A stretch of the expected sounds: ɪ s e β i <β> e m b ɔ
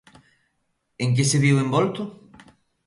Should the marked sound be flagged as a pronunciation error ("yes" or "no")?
yes